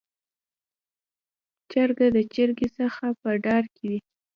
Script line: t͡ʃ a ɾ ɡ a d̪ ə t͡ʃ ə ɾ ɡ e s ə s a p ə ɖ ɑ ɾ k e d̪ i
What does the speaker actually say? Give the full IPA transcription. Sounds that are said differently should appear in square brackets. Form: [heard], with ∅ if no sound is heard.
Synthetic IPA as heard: t͡ʃ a ɾ ɡ a d̪ ə t͡ʃ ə ɾ ɡ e s ə [x] a p ə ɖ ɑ ɾ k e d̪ i